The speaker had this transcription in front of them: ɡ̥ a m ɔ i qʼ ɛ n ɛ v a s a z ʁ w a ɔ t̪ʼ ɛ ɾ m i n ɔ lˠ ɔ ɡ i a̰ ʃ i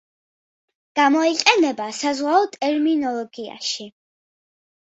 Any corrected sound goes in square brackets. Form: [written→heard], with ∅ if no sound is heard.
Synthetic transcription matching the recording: ɡ̥ a m ɔ i qʼ ɛ n ɛ [v→b] a s a z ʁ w a ɔ t̪ʼ ɛ ɾ m i n ɔ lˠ ɔ ɡ i a̰ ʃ i